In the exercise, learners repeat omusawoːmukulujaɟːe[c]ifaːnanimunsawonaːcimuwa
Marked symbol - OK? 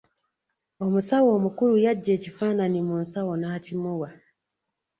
yes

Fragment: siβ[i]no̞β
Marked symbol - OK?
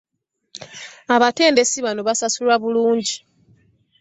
no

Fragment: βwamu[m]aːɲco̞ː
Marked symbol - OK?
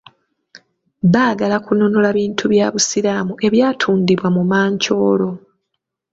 yes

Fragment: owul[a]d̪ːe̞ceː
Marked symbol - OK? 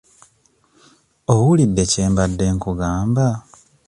no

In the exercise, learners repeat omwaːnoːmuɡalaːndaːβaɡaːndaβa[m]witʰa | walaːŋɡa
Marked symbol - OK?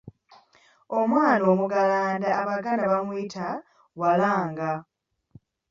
yes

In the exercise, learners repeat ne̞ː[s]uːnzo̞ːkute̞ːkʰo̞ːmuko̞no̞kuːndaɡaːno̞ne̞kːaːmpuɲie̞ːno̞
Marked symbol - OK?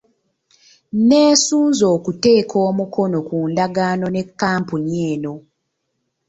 yes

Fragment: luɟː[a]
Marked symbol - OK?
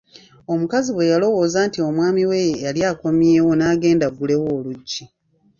no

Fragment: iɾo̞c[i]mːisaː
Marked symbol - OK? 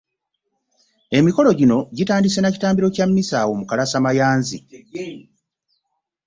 no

